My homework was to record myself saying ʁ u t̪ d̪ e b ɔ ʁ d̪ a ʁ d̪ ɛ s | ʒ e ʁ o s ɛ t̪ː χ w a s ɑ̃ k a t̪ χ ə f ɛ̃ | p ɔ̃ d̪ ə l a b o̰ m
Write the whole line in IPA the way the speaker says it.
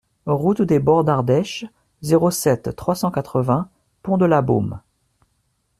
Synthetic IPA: ʁ u t̪ d̪ e b ɔ ʁ d̪ a ʁ d̪ ɛ ʃ | z e ʁ o s ɛ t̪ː χ w a s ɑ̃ k a t̪ χ ə v ɛ̃ | p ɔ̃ d̪ ə l a b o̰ m